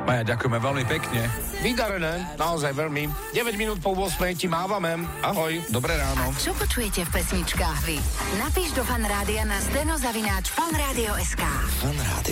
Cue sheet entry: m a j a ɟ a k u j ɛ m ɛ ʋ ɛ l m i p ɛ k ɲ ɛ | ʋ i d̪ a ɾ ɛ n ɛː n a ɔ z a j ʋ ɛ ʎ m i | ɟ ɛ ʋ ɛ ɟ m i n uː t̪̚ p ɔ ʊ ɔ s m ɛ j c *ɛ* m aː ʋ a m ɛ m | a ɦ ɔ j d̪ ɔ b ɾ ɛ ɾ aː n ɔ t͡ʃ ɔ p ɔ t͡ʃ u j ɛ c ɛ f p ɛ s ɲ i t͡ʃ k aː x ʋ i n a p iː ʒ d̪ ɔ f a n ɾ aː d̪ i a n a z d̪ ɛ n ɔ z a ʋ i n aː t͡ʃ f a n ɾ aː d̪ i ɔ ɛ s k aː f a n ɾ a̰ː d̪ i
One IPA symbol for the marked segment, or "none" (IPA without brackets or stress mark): i